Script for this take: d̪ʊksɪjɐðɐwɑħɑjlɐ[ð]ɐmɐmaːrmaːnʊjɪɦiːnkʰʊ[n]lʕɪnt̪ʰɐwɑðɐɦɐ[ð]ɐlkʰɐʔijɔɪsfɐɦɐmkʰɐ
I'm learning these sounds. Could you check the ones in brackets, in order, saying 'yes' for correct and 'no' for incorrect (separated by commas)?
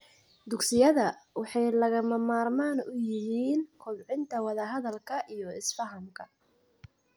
no, no, yes